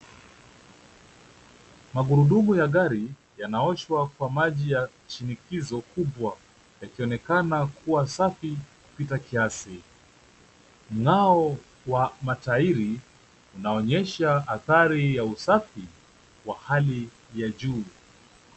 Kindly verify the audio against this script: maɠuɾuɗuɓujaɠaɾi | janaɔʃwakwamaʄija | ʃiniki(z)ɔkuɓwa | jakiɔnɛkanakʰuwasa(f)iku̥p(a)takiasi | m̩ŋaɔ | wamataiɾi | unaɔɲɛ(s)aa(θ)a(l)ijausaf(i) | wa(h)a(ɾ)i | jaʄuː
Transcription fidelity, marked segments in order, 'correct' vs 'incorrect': correct, correct, incorrect: i, incorrect: ʃ, correct, incorrect: ɾ, correct, correct, incorrect: l

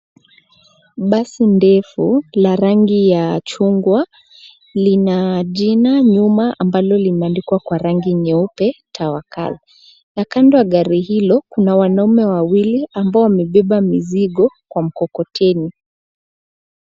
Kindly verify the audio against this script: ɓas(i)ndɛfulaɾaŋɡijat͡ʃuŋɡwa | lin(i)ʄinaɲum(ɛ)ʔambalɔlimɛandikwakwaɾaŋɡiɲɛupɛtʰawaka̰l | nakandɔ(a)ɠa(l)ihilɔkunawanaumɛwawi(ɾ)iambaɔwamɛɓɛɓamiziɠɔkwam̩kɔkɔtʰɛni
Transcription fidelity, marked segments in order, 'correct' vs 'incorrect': correct, incorrect: a, incorrect: a, correct, incorrect: ɾ, incorrect: l

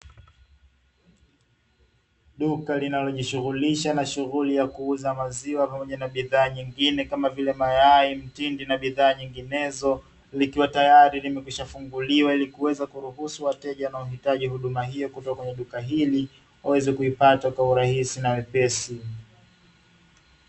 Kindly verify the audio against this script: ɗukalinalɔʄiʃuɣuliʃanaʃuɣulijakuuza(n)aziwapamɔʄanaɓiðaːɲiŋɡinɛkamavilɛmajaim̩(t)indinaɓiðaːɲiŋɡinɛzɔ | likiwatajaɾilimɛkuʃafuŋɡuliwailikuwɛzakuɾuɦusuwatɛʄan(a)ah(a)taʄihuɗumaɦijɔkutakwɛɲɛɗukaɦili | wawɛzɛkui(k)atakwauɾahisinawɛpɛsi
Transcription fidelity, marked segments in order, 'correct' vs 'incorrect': incorrect: m, correct, correct, incorrect: i, incorrect: p

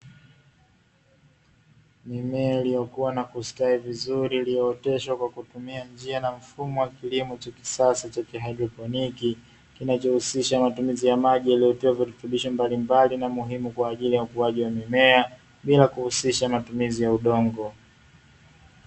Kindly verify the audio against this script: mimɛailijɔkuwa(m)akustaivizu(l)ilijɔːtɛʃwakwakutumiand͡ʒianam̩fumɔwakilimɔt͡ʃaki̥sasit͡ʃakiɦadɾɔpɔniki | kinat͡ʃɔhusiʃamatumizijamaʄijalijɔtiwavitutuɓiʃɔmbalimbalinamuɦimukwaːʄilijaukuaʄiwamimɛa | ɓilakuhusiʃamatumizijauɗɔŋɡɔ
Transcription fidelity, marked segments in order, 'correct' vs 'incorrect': incorrect: n, incorrect: ɾ

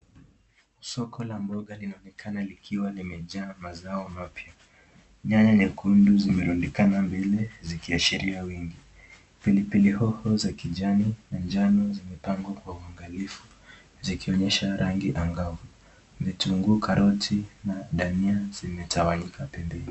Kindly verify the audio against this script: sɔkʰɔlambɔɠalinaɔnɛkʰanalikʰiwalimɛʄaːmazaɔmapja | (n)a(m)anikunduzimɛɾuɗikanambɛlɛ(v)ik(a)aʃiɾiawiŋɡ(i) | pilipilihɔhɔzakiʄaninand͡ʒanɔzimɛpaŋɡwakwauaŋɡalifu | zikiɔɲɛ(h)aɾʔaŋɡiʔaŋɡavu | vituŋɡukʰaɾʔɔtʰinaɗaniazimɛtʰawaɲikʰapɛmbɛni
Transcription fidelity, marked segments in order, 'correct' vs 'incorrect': incorrect: ɲ, incorrect: ɲ, incorrect: z, incorrect: i, correct, incorrect: ʃ

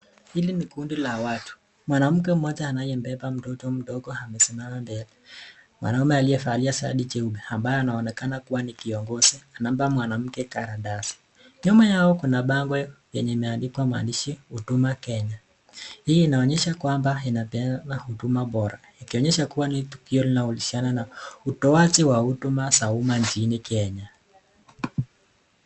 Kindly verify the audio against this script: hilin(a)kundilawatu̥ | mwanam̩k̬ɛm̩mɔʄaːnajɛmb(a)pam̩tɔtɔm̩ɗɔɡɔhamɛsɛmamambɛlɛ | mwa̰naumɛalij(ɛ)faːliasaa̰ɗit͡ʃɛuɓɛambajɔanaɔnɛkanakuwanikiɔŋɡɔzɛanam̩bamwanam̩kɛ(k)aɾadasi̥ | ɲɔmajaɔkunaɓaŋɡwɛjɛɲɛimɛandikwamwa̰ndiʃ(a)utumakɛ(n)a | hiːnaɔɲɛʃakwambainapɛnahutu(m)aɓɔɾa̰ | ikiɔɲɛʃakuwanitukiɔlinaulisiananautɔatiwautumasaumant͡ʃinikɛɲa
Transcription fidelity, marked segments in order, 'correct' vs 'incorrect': incorrect: i, incorrect: ɛ, correct, correct, incorrect: i, incorrect: ɲ, correct

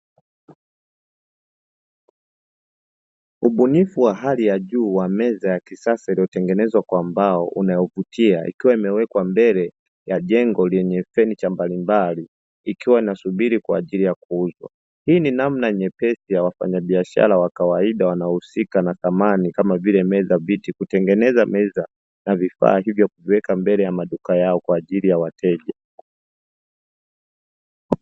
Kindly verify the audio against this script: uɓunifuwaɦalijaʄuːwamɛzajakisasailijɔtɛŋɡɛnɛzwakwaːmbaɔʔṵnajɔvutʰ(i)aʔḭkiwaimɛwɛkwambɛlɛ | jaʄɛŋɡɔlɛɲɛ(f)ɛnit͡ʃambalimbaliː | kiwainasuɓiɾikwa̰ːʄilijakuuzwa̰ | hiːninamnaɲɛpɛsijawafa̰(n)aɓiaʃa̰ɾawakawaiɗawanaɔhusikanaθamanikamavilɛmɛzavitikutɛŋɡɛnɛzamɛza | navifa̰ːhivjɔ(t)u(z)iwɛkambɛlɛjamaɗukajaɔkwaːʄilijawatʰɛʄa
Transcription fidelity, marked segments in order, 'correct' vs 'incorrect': correct, correct, incorrect: ɲ, incorrect: k, incorrect: v

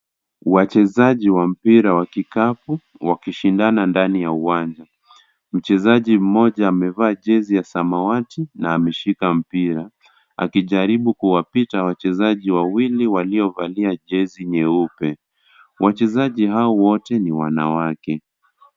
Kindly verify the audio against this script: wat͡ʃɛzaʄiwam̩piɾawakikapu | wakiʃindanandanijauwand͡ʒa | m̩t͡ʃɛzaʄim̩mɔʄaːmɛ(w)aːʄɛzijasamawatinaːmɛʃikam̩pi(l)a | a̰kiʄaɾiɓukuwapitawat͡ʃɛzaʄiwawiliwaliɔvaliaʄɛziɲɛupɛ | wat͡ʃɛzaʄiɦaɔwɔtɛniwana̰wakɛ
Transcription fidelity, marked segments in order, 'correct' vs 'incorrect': incorrect: v, incorrect: ɾ

